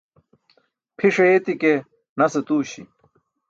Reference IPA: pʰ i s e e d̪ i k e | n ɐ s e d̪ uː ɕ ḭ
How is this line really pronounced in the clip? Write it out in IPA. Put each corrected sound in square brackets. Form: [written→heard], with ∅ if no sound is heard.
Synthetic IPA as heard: pʰ i [s→ʂ] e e [d̪→t̪] i k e | n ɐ s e [d̪→t̪] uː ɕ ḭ